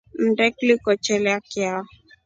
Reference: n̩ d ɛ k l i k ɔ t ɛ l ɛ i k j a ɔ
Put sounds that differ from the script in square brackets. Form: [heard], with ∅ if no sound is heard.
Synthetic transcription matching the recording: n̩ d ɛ k l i k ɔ [t͡ʃ] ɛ l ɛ [a] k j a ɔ